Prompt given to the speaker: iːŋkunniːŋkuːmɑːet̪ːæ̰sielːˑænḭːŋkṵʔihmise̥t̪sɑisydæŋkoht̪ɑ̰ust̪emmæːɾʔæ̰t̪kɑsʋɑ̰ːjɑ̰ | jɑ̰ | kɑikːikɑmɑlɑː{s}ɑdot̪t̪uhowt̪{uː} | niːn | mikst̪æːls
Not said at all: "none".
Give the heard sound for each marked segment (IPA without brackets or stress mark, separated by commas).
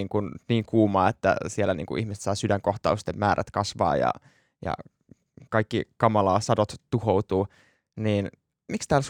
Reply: s, uː